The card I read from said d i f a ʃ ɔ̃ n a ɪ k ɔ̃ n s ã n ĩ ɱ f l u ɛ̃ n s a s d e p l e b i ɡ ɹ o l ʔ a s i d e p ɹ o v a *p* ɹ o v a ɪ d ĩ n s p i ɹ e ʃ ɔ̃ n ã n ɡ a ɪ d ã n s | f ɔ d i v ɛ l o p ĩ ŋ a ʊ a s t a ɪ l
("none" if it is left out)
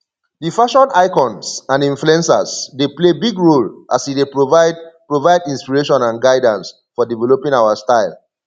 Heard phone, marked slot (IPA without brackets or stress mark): p